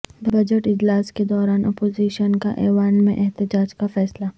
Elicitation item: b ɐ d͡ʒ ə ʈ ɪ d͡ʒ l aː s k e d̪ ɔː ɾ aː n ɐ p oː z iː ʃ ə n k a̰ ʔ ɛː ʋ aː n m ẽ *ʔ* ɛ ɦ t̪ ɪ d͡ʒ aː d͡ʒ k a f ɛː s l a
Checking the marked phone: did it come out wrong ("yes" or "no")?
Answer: no